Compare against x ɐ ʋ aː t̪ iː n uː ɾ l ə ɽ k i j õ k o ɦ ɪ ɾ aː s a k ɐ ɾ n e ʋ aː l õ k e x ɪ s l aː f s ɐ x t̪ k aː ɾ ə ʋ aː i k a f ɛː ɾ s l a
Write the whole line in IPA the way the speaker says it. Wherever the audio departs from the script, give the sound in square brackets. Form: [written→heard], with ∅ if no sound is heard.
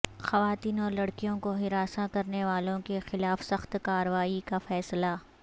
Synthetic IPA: x ɐ ʋ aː t̪ iː n [uː→ɔː] ɾ l [ə→ɐ] ɽ k i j õ k o ɦ ɪ ɾ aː s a k ɐ ɾ n e ʋ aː l õ k e x ɪ [s→∅] l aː f s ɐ x t̪ k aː ɾ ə ʋ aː i k a f ɛː [ɾ→∅] s l a